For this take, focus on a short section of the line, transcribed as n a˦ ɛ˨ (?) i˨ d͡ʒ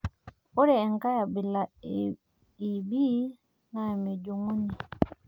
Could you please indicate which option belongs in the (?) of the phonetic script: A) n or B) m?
B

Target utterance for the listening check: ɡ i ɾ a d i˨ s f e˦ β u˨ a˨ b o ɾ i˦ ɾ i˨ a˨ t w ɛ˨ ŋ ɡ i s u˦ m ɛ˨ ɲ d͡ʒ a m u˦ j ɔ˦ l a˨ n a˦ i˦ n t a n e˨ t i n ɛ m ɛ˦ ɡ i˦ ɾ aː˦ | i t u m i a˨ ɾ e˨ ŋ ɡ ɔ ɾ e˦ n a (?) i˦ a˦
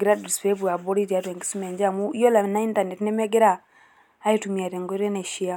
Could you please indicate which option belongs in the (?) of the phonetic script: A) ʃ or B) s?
A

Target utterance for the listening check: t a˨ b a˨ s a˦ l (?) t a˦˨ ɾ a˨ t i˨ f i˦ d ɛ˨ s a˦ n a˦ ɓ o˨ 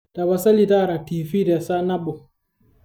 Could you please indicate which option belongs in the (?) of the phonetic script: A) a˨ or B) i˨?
B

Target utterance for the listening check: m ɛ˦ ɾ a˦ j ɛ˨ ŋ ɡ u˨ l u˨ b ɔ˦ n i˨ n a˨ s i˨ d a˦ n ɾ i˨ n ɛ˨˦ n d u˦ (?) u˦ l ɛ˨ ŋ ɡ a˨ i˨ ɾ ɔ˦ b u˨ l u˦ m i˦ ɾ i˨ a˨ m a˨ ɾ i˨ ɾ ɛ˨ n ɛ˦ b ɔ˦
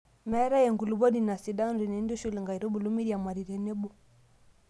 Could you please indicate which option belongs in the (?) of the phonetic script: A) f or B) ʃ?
B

